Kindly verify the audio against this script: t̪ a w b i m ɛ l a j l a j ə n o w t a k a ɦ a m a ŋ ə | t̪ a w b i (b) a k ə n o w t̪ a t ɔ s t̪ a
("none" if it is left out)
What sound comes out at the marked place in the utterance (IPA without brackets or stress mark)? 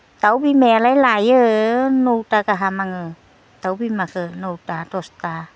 m